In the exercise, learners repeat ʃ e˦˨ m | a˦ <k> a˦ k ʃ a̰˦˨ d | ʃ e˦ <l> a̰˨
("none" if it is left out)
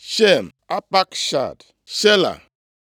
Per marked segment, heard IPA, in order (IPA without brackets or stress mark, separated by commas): p, l